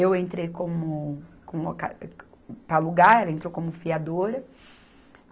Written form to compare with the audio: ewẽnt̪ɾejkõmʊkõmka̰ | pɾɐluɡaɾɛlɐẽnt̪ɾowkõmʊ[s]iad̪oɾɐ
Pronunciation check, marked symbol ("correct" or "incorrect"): incorrect